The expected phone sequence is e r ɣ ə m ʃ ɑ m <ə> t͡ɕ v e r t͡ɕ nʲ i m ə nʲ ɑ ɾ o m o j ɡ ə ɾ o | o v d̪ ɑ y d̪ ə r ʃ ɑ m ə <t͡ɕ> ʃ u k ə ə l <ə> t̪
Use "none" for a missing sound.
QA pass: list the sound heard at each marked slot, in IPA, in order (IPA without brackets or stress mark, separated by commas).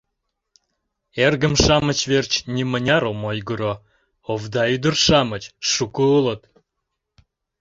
ə, t͡ɕ, ə